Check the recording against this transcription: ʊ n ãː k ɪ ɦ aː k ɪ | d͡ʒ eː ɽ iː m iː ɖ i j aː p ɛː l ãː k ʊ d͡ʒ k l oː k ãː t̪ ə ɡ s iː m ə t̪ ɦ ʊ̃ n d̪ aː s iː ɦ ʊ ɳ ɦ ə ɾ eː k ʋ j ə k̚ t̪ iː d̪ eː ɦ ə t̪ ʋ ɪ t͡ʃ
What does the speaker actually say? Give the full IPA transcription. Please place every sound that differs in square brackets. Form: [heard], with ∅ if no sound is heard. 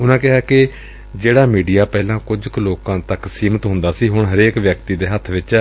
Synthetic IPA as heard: ʊ n ãː k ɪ ɦ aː k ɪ | d͡ʒ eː ɽ [aː] m iː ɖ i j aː p ɛː l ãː k ʊ d͡ʒ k l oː k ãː t̪ ə [k] s iː m ə t̪ ɦ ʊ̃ n d̪ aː s iː ɦ ʊ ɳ ɦ ə ɾ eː k ʋ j ə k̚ t̪ iː d̪ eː ɦ ə [t̪ʰ] ʋ ɪ t͡ʃ